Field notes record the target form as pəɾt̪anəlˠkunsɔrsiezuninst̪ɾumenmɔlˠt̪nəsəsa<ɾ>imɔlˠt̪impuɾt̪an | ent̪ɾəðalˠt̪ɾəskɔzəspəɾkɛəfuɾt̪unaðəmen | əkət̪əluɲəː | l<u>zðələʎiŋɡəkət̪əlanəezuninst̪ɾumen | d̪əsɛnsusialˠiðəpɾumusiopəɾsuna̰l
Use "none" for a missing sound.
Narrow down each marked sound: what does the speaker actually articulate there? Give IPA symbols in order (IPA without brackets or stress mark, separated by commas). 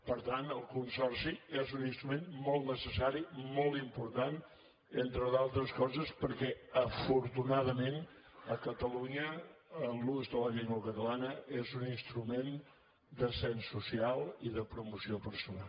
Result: ɾ, u